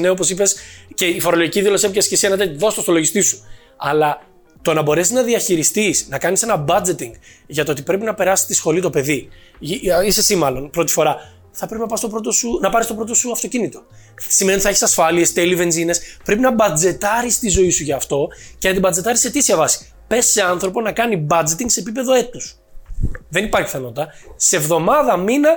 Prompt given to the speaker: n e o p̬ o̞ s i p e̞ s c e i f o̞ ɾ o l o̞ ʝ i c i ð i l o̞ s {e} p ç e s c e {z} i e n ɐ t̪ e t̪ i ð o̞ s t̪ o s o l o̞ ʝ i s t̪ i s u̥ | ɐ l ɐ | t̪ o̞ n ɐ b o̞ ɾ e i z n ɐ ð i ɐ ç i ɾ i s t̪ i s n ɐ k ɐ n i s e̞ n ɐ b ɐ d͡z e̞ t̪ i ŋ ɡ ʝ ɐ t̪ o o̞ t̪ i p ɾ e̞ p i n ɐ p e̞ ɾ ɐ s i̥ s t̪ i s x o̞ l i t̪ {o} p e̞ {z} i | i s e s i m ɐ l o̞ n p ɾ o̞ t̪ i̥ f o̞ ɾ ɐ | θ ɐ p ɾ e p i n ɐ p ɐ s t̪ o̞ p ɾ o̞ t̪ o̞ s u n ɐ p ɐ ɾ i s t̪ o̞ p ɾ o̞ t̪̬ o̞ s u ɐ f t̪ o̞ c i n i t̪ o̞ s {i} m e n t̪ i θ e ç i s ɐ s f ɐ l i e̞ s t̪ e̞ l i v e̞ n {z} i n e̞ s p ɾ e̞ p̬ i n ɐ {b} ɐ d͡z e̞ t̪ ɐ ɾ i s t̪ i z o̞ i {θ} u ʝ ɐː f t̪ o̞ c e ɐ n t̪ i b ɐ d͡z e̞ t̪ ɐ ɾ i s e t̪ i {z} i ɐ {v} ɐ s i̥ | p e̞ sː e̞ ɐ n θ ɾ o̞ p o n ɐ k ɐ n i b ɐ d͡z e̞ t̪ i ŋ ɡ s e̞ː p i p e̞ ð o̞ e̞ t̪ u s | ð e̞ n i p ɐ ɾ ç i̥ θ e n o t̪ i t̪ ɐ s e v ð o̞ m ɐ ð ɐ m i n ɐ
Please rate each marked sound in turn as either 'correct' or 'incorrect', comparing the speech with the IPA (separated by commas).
correct, incorrect, correct, incorrect, correct, correct, correct, incorrect, incorrect, correct